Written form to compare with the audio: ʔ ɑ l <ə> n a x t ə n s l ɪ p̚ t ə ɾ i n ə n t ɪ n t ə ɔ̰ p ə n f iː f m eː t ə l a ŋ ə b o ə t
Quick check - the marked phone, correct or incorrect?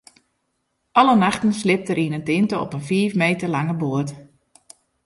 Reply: correct